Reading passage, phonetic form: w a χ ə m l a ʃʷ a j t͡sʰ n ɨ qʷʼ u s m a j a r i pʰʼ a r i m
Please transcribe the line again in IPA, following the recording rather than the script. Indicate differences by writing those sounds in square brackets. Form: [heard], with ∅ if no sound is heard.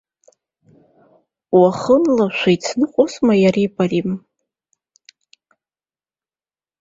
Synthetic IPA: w a χ ə [n] l a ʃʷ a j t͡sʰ n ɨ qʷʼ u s m a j a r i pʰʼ a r i m